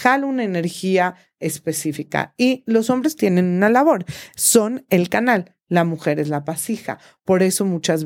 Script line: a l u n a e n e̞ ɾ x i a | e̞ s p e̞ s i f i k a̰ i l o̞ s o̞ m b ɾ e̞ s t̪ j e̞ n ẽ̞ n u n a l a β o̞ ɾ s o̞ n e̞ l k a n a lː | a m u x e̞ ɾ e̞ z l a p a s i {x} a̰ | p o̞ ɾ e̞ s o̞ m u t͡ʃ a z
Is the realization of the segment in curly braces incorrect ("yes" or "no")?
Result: no